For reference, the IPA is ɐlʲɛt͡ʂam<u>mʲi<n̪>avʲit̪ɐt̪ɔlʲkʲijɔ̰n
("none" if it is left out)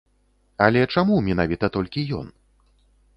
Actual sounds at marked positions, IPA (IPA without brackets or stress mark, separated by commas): u, n̪